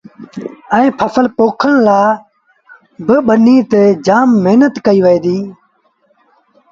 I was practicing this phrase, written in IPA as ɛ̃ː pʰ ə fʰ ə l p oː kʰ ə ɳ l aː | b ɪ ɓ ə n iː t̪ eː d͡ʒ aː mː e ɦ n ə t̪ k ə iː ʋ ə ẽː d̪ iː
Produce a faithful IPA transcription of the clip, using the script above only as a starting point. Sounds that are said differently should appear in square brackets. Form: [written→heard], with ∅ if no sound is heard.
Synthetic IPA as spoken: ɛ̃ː pʰ ə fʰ ə l p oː kʰ ə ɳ l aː | b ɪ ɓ ə n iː t̪ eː d͡ʒ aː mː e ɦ n ə t̪ k ə iː ʋ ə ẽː d̪ iː